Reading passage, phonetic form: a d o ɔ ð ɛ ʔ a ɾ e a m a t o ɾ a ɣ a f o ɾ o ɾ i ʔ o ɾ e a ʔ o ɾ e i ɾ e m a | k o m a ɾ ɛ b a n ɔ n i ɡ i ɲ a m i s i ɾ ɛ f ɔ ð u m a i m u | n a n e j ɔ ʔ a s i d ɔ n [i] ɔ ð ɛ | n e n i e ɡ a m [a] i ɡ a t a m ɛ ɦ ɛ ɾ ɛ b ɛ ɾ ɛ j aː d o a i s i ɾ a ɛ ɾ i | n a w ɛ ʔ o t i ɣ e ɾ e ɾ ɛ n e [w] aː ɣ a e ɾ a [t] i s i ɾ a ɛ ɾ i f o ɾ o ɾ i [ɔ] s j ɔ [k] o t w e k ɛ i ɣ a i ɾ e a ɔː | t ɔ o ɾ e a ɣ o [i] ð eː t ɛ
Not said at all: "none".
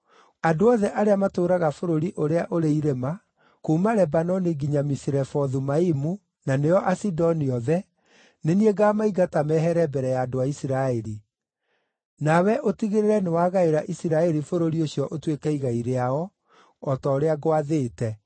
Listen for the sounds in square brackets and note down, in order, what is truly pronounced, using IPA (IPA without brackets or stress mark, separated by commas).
i, a, w, ʔ, o, ʔ, a